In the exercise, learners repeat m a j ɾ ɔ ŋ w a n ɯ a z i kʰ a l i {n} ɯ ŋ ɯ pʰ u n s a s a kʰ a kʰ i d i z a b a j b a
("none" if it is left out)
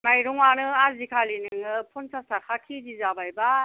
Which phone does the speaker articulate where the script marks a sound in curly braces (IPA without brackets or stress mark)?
n